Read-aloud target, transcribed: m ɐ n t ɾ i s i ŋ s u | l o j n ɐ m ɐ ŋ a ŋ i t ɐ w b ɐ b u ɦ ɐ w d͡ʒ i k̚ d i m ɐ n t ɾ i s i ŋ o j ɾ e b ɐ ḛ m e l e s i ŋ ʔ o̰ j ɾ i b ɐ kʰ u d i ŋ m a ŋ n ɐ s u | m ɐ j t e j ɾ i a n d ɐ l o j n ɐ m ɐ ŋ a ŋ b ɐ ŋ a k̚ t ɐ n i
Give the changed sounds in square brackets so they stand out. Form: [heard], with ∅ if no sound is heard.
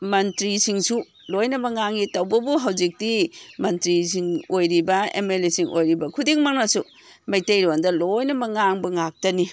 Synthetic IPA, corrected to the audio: m ɐ n t ɾ i s i ŋ s u | l o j n ɐ m ɐ ŋ a ŋ i t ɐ w b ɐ b u ɦ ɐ w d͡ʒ i k̚ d i m ɐ n t ɾ i s i ŋ o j ɾ [i] b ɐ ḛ m e l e s i ŋ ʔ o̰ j ɾ i b ɐ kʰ u d i ŋ m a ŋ n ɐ s u | m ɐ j t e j ɾ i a n d ɐ l o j n ɐ m ɐ ŋ a ŋ b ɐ ŋ a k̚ t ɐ n i